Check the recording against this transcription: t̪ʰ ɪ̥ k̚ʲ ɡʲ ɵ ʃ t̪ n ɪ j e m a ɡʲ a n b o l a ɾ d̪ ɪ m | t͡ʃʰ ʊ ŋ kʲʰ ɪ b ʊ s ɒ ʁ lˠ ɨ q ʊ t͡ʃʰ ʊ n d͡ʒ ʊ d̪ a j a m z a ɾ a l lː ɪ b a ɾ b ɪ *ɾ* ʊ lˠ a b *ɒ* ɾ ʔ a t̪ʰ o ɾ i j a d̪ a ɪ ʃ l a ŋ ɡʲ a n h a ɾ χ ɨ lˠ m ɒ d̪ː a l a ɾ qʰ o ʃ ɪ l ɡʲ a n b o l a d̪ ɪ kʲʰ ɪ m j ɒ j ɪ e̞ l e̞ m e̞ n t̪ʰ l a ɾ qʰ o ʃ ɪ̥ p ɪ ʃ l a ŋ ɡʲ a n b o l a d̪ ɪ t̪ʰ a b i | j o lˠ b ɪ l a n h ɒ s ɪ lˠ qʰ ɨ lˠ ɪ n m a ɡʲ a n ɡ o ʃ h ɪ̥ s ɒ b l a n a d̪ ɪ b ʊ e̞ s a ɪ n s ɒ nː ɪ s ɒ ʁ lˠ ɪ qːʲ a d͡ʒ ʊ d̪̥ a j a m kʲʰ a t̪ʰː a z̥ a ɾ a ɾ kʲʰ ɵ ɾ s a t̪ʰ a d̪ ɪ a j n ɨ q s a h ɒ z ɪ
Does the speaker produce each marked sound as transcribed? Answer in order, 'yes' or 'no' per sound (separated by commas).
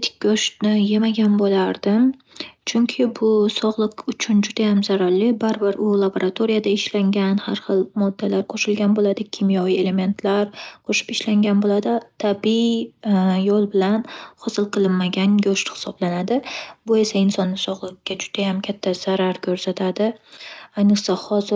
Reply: yes, no